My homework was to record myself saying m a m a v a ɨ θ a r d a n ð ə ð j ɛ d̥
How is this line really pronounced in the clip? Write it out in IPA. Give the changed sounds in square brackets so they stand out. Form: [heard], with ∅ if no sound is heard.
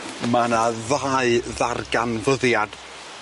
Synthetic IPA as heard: m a [n] a [ð] a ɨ [ð] a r [ɡ] a n [v] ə ð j [a] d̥